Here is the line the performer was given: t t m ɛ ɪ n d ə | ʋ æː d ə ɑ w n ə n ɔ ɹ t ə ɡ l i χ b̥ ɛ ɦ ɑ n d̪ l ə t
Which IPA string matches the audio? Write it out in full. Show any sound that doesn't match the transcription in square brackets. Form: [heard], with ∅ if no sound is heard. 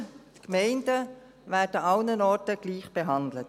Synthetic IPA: t [k] m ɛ ɪ n d ə | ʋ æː d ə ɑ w n ə n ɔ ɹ t ə ɡ l [iː] χ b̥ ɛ ɦ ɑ n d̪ l ə t